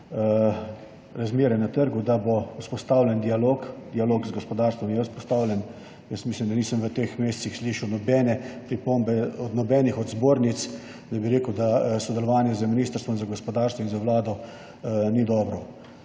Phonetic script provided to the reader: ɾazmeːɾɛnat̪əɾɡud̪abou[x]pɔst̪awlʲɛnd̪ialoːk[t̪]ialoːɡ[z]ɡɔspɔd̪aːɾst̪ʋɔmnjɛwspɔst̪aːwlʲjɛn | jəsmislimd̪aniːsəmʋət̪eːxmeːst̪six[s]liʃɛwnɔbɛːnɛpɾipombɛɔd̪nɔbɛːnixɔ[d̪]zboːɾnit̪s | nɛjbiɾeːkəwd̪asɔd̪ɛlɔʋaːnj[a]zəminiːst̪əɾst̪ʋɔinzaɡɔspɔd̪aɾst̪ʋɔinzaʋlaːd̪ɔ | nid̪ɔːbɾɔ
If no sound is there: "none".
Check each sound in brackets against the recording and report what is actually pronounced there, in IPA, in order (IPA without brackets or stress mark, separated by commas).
s, d̪, z, s, d̪, ɛ